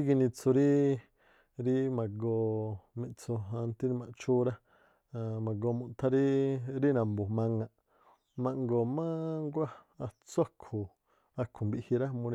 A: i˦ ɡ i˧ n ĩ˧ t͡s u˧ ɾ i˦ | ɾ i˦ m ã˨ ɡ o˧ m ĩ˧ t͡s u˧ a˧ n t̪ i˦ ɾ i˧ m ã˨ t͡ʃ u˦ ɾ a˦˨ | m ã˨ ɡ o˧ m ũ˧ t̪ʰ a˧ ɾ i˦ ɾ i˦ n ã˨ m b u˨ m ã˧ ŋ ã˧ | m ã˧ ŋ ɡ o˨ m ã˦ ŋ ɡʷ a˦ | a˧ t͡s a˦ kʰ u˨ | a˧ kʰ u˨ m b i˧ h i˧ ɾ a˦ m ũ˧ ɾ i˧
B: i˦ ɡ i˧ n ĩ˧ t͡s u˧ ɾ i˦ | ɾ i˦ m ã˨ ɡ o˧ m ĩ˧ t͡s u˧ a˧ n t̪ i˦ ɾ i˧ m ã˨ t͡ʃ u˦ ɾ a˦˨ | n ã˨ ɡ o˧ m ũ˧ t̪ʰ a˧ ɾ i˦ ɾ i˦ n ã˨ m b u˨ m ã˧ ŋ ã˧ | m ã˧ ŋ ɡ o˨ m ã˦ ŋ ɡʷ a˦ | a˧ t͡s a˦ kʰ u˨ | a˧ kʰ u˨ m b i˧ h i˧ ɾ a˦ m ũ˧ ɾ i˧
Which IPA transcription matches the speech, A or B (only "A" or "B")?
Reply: A